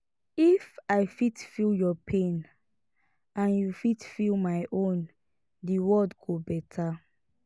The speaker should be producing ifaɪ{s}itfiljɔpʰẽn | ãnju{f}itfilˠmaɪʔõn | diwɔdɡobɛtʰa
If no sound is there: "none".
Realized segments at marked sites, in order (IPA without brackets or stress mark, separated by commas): f, f